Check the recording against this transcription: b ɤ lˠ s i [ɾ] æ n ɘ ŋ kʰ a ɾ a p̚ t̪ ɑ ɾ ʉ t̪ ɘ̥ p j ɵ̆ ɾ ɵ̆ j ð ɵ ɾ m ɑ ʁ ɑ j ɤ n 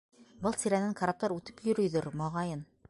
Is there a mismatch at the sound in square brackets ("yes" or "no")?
no